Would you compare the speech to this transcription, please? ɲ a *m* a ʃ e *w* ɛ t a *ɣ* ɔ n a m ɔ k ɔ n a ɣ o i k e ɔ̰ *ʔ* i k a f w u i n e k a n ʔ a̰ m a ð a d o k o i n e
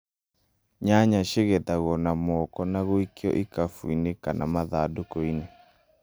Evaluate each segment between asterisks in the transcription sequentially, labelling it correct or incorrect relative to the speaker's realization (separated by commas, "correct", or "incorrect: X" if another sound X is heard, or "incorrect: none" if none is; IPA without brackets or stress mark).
incorrect: ɲ, incorrect: ɣ, correct, correct